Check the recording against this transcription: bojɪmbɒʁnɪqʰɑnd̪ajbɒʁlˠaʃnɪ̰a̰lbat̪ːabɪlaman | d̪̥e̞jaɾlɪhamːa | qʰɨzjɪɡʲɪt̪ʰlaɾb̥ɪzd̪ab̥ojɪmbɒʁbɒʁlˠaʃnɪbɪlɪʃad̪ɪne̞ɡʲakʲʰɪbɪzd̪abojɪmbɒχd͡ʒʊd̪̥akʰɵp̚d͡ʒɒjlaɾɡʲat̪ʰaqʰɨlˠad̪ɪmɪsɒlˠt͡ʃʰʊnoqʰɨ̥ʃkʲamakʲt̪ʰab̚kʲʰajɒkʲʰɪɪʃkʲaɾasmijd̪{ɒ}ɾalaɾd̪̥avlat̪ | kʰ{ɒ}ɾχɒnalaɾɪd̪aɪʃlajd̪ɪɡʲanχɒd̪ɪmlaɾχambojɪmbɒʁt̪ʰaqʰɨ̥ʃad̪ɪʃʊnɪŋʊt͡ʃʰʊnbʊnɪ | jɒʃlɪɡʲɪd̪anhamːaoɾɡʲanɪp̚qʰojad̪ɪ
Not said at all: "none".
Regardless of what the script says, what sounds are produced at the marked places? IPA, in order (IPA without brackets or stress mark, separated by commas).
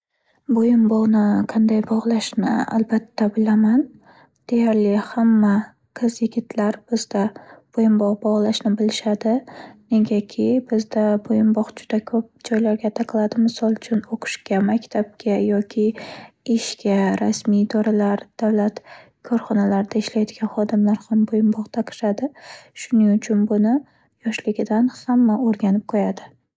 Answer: ɒ, ɒ